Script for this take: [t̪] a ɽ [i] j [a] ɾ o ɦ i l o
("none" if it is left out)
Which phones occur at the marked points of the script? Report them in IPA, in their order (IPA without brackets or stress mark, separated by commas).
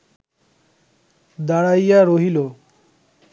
d̪, a, a